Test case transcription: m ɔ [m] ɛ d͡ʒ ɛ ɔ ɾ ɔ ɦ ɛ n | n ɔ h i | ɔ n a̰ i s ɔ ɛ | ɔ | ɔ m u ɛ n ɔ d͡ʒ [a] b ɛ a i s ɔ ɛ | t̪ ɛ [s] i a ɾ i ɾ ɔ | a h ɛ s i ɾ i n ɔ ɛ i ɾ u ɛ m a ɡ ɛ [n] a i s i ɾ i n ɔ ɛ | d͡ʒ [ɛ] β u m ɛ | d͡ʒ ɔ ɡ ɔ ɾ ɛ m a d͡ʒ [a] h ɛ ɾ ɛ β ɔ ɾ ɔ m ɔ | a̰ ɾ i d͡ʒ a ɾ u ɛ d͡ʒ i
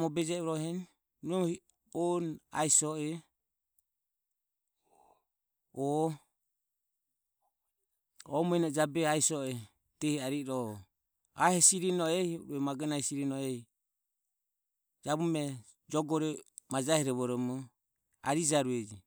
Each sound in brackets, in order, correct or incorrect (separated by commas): incorrect, correct, incorrect, correct, incorrect, correct